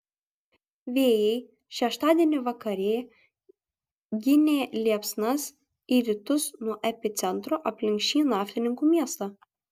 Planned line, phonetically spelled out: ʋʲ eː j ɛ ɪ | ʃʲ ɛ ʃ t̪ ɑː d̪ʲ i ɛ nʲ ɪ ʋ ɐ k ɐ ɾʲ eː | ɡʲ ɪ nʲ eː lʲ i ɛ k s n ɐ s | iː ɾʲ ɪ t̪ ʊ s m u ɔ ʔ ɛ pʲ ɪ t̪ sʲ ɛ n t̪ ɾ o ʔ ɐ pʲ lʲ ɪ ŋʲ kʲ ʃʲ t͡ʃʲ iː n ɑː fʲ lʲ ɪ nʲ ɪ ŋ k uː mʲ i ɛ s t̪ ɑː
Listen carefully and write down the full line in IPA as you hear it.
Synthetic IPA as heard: ʋʲ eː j ɛ ɪ | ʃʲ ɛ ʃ t̪ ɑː d̪ʲ i ɛ nʲ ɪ ʋ ɐ k ɐ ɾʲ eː | ɡʲ ɪ nʲ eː lʲ i ɛ p s n ɐ s | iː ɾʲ ɪ t̪ ʊ s n u ɔ ʔ ɛ pʲ ɪ t̪ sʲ ɛ n t̪ ɾ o ʔ ɐ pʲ lʲ ɪ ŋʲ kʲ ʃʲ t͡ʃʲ iː n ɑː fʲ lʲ ɪ nʲ ɪ ŋ k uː mʲ i ɛ s t̪ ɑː